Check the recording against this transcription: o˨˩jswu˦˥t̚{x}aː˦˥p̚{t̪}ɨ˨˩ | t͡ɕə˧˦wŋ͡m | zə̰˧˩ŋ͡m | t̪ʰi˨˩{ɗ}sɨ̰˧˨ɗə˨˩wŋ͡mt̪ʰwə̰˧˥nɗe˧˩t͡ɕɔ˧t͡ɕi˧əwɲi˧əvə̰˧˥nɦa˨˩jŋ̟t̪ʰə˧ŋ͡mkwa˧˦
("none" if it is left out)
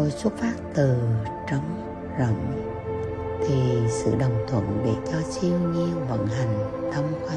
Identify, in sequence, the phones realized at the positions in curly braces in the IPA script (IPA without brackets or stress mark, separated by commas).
f, t̪, none